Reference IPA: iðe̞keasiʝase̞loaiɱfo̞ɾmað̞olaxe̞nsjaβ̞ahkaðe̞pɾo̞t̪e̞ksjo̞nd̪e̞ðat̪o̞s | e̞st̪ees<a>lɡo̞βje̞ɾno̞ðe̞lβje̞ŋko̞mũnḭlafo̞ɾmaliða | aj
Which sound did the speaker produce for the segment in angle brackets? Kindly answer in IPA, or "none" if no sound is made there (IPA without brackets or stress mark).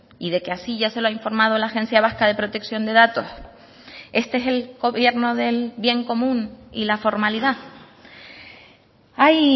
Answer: e